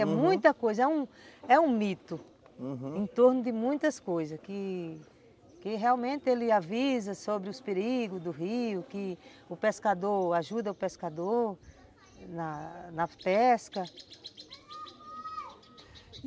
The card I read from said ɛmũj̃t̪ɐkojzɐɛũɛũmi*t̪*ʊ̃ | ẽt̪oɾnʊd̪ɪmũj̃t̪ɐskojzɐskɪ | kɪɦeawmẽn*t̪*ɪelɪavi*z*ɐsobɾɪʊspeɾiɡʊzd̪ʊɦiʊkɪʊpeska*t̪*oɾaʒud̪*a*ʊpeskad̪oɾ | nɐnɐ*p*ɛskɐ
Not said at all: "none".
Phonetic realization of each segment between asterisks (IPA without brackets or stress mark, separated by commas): t̪, t̪, z, d̪, ɐ, p